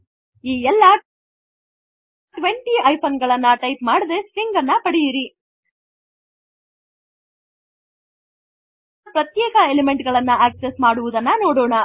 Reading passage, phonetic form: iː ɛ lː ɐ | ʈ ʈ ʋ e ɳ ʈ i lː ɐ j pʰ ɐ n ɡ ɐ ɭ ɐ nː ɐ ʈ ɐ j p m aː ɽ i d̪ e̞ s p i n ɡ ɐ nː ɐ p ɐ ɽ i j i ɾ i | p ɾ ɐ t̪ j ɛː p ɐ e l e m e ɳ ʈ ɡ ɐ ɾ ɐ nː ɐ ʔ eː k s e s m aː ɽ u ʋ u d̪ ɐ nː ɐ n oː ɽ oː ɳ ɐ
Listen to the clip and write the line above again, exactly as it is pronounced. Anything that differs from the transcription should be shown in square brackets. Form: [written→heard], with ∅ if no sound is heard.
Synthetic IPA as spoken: iː ɛ lː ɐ | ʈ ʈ ʋ e ɳ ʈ i [lː→∅] ɐ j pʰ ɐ n ɡ ɐ ɭ ɐ nː ɐ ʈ ɐ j p m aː ɽ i d̪ e̞ s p i [n→ŋ] ɡ ɐ nː ɐ p ɐ ɽ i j i ɾ i | p ɾ ɐ t̪ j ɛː [p→k] ɐ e l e m e ɳ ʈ ɡ ɐ [ɾ→ɭ] ɐ nː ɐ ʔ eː k s e s m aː ɽ u ʋ u d̪ ɐ nː ɐ n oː ɽ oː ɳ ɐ